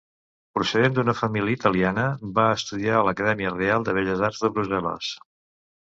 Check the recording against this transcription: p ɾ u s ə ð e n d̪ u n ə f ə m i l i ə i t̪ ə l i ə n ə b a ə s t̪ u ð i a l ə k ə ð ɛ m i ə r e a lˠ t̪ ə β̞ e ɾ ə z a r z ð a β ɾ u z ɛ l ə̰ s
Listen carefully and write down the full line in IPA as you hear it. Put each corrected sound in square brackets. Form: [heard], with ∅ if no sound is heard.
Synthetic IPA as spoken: p ɾ u s ə ð e n d̪ u n ə f ə m i l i ə i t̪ ə l i [a] n ə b a ə s t̪ u ð i a l ə k ə ð ɛ m i ə r e a lˠ [d̪] ə β̞ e [ʎ] ə z a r z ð [ə] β ɾ u z ɛ l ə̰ s